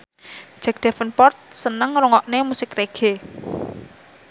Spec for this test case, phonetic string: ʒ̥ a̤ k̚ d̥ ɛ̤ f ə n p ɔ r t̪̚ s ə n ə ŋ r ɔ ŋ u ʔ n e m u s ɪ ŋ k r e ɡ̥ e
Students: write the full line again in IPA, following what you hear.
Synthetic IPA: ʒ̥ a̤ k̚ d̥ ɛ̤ f ə n p ɔ r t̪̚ s ə n ə ŋ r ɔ ŋ ɔ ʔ n e m u s ɪ k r e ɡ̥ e